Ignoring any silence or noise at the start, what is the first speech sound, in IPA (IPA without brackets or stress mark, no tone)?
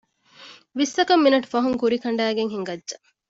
ʋ